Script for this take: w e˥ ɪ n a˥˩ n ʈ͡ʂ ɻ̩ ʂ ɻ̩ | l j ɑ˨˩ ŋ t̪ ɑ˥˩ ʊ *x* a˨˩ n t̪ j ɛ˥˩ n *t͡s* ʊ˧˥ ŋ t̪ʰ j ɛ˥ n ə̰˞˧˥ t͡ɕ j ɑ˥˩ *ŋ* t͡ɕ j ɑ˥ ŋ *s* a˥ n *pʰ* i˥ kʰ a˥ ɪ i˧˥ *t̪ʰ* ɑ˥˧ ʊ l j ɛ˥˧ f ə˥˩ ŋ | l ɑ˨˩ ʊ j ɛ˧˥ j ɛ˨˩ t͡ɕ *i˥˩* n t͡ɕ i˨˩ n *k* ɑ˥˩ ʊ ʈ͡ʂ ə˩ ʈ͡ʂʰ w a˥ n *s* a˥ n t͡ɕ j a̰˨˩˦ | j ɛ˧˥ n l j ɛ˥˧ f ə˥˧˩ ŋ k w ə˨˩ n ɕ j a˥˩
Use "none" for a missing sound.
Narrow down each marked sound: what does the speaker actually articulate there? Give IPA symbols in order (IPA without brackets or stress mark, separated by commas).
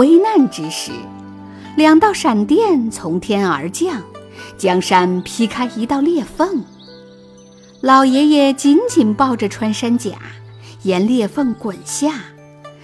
ʂ, t͡sʰ, ŋ, ʂ, pʰ, t̪, i˧˥, p, ʂ